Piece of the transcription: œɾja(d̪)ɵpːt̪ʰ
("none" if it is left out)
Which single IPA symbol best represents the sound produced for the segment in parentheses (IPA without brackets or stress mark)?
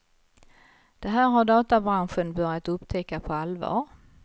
t̪